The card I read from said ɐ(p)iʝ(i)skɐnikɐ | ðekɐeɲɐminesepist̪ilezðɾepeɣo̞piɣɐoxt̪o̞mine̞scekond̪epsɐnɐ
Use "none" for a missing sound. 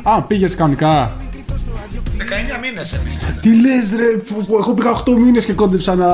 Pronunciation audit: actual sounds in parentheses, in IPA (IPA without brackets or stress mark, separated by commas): p, e